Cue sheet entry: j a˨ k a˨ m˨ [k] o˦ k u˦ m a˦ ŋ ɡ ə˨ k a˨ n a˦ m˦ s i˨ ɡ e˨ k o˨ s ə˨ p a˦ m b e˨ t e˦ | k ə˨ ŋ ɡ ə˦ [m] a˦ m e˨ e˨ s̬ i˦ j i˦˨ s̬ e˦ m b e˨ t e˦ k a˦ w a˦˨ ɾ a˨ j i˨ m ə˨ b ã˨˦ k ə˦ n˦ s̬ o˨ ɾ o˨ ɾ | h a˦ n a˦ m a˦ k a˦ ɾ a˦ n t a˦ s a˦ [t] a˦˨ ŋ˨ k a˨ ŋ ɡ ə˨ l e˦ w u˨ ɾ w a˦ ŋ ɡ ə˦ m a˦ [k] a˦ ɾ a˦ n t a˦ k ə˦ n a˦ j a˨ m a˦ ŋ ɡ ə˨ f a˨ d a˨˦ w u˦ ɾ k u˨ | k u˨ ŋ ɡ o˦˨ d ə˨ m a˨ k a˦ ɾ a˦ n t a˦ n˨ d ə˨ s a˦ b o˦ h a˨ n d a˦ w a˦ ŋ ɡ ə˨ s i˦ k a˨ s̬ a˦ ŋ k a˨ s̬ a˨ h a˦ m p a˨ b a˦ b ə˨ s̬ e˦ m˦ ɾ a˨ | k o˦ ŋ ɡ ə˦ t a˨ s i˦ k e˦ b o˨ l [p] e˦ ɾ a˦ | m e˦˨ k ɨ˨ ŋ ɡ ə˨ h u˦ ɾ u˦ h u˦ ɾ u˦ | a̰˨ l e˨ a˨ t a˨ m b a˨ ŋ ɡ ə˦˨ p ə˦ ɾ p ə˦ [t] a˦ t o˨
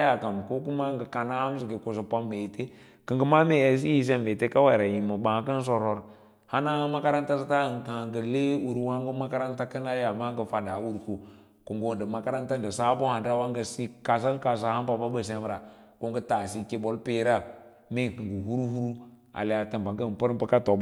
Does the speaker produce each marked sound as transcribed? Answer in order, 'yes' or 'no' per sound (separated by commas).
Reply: yes, yes, yes, yes, yes, no